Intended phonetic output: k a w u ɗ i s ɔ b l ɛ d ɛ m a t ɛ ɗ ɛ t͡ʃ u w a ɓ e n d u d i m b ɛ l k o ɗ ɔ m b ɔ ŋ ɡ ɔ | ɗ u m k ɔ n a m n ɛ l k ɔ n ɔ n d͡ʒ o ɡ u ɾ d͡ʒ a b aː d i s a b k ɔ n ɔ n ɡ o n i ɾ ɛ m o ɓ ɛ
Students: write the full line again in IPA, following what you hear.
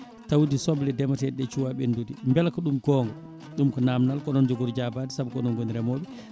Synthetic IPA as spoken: t a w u d i s ɔ b l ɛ d ɛ m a t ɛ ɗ ɛ t͡ʃ u w a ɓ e n d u d i m b ɛ l k ɔ ɗ u m ɡ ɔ ŋ ɡ ɔ | ɗ u m k ɔ n a m n a l k ɔ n ɔ n d͡ʒ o ɡ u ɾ d͡ʒ a b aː d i s a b k ɔ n ɔ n ɡ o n i ɾ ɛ m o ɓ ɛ